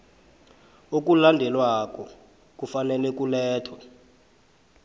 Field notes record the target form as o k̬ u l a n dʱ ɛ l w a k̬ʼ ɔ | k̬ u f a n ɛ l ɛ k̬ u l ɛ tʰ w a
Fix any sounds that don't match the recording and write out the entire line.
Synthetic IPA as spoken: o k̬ u l a n dʱ ɛ l w a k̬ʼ ɔ | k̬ u f a n ɛ l ɛ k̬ u l ɛː tʰ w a